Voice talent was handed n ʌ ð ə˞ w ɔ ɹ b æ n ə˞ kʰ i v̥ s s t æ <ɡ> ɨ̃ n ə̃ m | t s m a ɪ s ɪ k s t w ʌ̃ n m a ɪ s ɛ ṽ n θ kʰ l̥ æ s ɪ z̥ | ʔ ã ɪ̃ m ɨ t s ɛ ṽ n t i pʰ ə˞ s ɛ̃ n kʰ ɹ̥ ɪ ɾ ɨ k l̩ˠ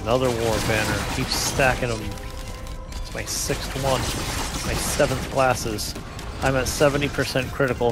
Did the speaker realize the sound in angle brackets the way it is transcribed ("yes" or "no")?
no